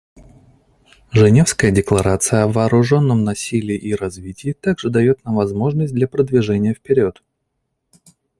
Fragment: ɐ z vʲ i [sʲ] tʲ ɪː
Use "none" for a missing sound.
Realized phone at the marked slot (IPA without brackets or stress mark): none